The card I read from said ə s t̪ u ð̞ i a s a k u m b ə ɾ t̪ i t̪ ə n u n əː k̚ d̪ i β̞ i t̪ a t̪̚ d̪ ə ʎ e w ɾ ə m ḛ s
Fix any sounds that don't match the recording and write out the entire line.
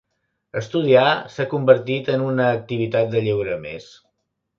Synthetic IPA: ə s t̪ u ð̞ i a s a k u m b ə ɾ t̪ i t̪ ə n u n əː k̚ t̪ i β̞ i t̪ a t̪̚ d̪ ə ʎ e w ɾ ə m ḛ s